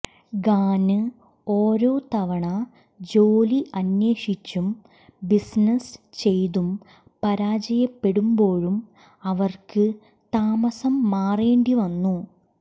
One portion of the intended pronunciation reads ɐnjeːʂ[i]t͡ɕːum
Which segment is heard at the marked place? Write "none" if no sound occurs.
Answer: i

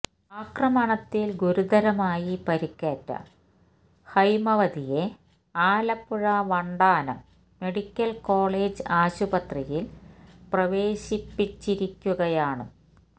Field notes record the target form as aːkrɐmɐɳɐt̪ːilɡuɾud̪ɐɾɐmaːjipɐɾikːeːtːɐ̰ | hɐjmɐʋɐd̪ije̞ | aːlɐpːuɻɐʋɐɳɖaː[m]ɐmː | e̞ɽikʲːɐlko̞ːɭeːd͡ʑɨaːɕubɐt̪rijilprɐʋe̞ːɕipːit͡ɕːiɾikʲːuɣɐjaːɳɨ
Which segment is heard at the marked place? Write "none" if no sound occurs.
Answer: n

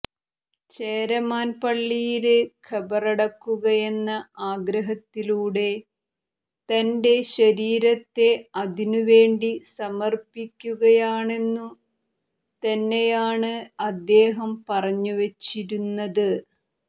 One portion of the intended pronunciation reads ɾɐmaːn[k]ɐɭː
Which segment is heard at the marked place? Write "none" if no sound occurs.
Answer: p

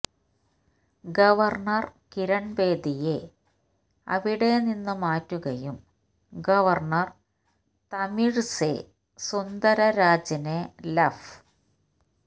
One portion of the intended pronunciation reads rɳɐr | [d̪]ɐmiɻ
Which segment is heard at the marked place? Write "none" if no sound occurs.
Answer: t̪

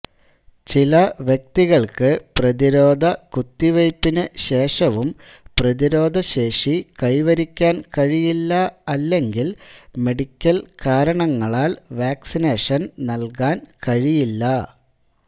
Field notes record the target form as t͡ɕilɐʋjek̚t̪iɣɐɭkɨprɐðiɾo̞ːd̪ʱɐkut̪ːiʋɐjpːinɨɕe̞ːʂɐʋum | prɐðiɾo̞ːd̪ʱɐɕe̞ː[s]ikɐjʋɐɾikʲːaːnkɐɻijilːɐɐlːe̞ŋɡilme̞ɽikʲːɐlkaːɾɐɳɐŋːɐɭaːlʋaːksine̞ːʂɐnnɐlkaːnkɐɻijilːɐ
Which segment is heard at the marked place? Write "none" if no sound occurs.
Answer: ʂ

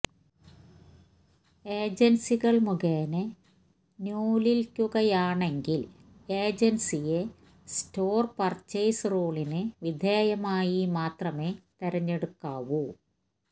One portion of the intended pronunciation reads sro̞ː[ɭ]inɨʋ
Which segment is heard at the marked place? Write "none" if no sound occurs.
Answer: ɭ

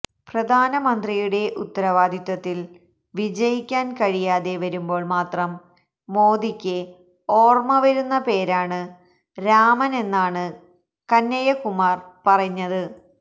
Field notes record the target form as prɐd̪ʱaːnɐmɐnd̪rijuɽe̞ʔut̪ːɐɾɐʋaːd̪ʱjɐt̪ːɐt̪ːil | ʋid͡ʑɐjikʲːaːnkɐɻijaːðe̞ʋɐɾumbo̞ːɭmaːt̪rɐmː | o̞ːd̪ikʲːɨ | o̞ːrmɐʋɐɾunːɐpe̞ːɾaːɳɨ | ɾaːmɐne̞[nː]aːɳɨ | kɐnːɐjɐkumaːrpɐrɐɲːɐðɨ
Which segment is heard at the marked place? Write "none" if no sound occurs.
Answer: nː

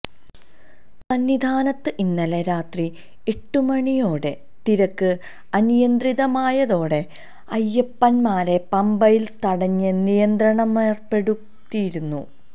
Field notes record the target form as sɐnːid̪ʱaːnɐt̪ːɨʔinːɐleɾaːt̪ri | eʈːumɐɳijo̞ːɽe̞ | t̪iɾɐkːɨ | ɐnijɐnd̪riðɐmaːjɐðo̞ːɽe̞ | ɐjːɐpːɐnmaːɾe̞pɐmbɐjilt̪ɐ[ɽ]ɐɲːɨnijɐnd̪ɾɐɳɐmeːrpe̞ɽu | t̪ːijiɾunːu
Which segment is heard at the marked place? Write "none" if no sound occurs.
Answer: ɽ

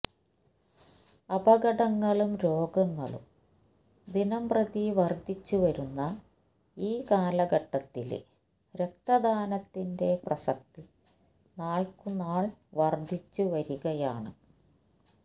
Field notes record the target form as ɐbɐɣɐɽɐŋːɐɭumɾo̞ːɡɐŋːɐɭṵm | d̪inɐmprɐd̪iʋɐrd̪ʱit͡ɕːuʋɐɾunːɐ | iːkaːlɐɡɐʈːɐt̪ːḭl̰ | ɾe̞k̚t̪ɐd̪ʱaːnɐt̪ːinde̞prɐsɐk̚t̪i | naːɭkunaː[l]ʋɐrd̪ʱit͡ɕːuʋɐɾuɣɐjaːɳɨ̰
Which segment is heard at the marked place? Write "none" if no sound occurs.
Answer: ɭ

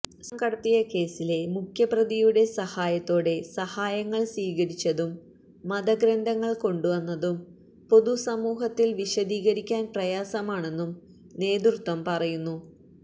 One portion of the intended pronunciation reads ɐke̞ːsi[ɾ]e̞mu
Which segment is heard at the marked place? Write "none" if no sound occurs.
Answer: l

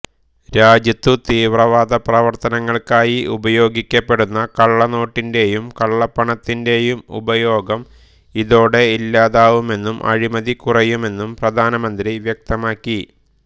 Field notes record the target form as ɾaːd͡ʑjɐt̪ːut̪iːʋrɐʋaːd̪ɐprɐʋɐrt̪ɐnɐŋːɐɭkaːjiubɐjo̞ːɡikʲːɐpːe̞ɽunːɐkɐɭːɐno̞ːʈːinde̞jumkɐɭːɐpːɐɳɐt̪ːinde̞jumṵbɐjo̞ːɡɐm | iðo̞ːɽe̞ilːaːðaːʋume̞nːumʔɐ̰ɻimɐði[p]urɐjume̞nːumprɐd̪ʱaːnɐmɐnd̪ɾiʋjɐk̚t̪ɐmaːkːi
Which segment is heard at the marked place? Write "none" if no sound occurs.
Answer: k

